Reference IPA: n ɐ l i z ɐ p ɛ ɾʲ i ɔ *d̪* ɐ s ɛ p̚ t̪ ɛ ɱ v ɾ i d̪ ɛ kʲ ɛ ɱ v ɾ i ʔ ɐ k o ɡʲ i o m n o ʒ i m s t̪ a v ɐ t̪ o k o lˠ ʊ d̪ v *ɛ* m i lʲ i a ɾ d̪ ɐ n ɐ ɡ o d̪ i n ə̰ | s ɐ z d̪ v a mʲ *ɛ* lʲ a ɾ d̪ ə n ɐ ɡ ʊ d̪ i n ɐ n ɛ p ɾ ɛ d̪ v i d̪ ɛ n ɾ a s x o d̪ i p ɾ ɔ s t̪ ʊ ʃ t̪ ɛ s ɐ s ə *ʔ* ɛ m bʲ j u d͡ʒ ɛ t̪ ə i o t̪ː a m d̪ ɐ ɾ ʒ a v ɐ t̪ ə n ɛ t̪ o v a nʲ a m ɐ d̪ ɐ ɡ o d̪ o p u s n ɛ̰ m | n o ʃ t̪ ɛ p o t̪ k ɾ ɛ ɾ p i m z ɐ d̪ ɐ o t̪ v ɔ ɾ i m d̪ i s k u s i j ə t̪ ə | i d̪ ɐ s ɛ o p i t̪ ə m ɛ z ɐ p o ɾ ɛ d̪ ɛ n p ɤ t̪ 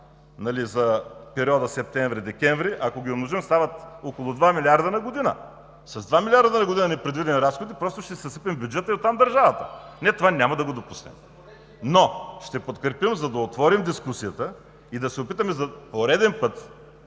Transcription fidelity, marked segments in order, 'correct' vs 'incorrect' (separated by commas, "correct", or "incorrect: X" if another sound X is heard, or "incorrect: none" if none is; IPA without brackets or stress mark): correct, incorrect: a, incorrect: i, incorrect: p